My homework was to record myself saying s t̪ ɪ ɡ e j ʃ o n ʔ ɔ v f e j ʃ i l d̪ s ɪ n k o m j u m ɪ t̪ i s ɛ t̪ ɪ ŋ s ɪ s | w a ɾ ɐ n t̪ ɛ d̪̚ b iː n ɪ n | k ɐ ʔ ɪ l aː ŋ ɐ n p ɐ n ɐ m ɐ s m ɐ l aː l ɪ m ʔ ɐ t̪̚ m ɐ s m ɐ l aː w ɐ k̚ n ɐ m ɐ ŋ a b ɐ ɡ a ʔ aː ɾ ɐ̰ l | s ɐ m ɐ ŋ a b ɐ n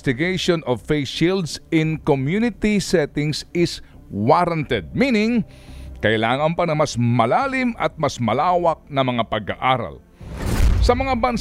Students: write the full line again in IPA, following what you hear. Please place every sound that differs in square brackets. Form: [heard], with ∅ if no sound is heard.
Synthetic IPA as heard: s t̪ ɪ ɡ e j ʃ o n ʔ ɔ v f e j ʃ i l d̪ s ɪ n k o m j u [n] ɪ t̪ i s ɛ t̪ ɪ ŋ s ɪ s | w a ɾ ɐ n t̪ ɛ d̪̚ [m] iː n ɪ [ŋ] | k ɐ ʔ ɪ l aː ŋ ɐ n p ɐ n ɐ m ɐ s m ɐ l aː l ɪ m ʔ ɐ t̪̚ m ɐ s m ɐ l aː w ɐ k̚ n ɐ m ɐ ŋ a [p] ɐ ɡ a ʔ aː ɾ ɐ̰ l | s ɐ m ɐ ŋ a b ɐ n